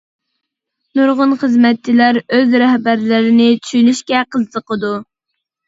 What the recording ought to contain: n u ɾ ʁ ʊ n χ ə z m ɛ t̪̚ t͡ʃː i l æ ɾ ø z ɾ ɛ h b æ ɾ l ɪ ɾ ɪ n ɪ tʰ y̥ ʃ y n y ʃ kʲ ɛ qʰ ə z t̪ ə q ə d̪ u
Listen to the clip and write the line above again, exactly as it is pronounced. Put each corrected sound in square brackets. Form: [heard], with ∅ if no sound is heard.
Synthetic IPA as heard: n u ɾ ʁ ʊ n χ ə z m ɛ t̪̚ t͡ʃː i l æ ɾ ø z ɾ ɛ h b æ ɾ l ɪ ɾ ɪ n ɪ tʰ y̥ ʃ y n y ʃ kʲ ɛ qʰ ə z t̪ ə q ə d̪ u